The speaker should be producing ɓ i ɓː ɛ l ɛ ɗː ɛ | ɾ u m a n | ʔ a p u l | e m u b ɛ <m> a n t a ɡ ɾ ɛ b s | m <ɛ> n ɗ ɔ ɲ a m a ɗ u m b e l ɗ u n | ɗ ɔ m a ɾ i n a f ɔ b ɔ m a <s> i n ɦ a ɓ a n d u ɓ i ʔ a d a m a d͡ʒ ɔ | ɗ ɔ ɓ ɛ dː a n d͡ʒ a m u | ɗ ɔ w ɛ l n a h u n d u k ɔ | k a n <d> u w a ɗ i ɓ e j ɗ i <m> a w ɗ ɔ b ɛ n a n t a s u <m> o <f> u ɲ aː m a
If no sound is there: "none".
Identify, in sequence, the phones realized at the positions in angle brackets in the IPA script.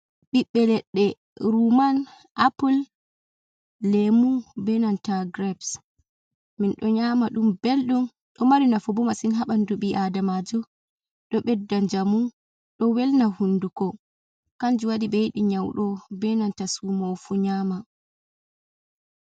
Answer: n, i, s, d͡ʒ, ɲ, m, f

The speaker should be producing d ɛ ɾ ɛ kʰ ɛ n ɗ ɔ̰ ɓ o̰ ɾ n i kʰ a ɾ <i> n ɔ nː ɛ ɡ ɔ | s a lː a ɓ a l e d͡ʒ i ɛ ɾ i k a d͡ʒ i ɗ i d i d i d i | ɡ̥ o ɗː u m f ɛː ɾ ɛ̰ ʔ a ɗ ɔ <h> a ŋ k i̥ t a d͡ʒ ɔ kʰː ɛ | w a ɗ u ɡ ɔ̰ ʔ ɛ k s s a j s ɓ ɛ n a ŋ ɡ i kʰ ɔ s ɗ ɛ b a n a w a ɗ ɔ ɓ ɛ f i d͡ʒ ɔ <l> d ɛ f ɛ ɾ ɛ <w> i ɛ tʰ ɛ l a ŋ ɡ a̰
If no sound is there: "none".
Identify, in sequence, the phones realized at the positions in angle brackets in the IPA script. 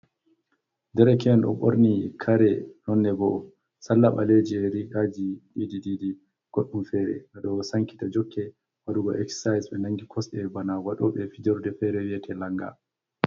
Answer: ɛ, s, ɾ, w

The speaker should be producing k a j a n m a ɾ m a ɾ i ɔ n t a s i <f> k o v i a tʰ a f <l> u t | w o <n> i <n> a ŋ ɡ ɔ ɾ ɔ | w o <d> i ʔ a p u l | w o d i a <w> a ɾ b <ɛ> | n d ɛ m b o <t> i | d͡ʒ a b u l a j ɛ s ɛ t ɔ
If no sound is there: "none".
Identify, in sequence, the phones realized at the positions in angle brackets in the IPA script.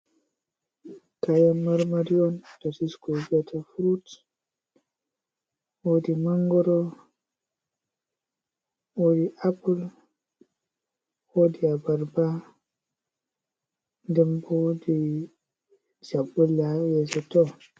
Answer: s, ɾ, d, m, d, b, a, d

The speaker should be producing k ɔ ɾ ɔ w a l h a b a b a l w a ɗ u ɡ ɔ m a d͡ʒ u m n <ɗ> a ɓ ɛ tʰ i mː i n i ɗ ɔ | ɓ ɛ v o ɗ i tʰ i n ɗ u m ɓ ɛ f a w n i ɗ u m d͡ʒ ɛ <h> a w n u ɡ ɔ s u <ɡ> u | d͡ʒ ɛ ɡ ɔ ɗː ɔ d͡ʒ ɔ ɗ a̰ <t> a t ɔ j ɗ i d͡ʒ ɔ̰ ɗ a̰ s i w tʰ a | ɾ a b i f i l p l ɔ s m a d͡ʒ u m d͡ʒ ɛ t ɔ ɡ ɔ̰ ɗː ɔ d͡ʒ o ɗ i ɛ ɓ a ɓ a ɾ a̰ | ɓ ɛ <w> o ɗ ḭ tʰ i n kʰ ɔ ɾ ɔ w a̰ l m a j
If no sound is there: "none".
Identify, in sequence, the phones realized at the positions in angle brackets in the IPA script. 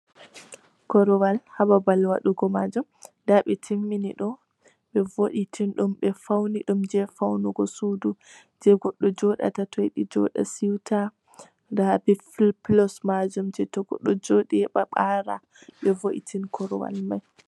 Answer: d, f, d, t, v

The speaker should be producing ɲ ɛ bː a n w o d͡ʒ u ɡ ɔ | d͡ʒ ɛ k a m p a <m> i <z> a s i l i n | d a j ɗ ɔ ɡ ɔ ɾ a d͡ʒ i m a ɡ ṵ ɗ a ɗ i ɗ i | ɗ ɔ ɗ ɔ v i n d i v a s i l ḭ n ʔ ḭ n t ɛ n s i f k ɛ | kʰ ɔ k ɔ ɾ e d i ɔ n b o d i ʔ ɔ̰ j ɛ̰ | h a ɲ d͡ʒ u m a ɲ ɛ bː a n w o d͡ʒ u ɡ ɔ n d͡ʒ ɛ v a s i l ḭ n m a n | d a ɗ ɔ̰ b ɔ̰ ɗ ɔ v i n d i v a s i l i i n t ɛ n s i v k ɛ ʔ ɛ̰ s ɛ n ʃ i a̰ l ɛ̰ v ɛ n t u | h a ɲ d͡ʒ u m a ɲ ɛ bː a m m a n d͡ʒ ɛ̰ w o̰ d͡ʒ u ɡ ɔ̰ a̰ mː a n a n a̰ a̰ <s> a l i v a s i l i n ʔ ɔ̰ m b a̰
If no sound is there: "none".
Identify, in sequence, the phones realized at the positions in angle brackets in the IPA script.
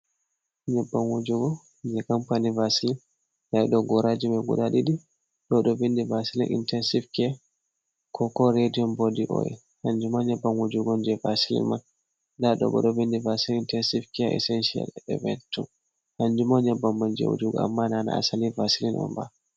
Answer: n, v, s

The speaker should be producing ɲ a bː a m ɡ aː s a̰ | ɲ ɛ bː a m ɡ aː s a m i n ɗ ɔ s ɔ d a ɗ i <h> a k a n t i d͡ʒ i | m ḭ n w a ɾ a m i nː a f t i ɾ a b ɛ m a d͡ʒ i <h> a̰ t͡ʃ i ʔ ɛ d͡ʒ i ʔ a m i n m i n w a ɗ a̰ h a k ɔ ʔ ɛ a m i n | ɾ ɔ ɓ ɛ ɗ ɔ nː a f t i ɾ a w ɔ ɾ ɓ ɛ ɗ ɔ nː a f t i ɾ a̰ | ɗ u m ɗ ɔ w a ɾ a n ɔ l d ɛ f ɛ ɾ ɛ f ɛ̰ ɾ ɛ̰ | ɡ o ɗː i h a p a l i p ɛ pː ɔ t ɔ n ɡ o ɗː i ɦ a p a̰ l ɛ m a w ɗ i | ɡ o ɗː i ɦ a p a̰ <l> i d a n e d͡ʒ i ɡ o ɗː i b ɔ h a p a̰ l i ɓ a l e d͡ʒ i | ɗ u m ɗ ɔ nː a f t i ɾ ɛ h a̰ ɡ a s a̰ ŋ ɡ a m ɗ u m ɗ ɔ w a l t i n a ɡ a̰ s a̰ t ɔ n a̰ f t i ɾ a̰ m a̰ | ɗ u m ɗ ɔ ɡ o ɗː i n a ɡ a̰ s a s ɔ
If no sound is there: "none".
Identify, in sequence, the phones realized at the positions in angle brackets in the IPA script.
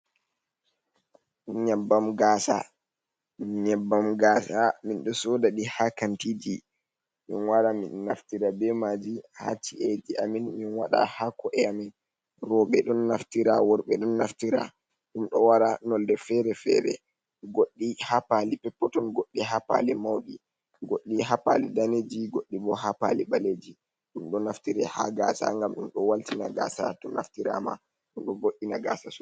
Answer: h, h, l

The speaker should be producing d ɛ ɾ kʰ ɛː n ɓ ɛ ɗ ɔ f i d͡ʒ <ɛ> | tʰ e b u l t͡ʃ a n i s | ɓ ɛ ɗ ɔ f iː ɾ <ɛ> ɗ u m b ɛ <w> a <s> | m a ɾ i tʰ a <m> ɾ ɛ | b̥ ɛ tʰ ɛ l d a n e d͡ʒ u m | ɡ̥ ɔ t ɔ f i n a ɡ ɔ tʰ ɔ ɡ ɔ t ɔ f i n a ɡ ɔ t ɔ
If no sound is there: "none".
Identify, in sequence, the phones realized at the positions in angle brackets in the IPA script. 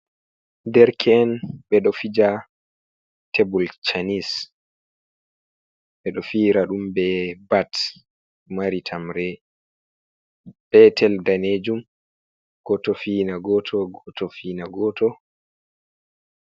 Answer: a, a, b, t, m

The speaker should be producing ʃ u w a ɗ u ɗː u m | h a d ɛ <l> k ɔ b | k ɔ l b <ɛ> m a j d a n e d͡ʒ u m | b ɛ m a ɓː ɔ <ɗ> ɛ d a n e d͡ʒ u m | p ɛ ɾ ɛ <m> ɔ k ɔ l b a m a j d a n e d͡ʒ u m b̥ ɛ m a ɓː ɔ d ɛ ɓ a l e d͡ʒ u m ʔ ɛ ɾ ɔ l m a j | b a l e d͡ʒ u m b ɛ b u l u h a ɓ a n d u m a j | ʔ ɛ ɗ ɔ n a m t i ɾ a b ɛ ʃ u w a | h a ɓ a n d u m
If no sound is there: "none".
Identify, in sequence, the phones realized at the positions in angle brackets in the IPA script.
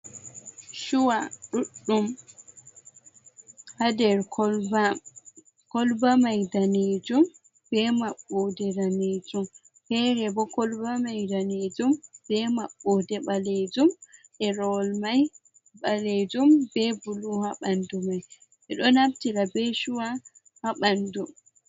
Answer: ɾ, a, d, b

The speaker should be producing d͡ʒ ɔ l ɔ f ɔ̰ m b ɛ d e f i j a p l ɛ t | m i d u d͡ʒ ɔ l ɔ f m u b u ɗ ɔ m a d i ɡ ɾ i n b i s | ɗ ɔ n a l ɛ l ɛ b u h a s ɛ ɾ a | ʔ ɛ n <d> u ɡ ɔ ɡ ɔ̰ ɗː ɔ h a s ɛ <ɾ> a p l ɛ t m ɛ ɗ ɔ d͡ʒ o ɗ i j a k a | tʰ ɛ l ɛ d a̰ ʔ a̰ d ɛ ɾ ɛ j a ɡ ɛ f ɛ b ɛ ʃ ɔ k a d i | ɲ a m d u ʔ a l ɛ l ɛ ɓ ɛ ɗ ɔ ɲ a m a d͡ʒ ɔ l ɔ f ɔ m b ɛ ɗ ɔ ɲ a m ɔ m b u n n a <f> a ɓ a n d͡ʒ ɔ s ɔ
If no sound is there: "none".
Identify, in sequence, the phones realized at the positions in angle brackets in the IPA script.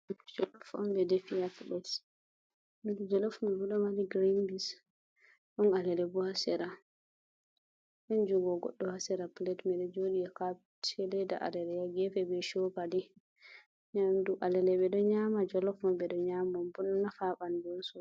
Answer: d͡ʒ, ɾ, f

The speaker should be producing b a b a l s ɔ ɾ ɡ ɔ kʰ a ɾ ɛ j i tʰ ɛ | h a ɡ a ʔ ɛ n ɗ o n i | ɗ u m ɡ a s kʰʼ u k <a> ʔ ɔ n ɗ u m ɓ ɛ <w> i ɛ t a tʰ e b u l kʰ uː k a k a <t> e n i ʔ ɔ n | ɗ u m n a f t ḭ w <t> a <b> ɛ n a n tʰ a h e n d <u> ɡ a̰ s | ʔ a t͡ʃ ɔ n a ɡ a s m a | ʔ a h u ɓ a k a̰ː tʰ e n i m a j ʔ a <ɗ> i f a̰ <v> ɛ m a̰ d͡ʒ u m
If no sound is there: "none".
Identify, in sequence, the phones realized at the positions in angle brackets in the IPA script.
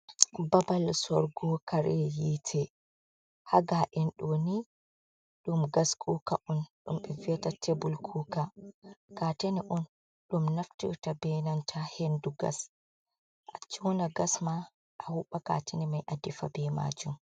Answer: a, v, t, t, b, u, d, b

